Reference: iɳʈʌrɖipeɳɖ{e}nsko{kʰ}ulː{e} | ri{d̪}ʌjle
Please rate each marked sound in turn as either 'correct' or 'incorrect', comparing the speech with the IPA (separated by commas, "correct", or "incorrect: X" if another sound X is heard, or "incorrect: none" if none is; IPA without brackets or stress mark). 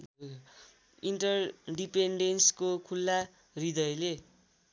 correct, correct, incorrect: a, correct